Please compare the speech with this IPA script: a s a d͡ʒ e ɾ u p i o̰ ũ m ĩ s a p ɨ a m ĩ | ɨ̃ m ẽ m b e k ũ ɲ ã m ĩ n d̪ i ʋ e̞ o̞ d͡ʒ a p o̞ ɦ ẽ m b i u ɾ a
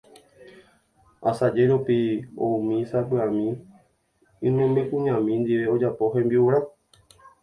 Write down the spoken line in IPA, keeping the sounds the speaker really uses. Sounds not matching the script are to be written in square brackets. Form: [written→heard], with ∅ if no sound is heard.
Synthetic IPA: a s a d͡ʒ e ɾ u p i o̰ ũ m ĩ s a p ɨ a m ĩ | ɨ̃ m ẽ m b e k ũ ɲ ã m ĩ n d̪ i ʋ e̞ o̞ d͡ʒ a p o̞ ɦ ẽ m b i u ɾ a